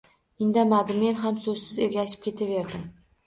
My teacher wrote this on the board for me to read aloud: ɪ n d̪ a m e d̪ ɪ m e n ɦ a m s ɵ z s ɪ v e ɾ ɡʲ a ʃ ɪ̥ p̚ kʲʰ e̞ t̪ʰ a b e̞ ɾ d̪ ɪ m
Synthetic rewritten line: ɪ n d̪ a m a d̪ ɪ m e n ɦ a m s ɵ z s ɪ z e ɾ ɡʲ a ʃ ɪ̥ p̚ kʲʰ e̞ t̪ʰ a v e̞ ɾ d̪ ɪ m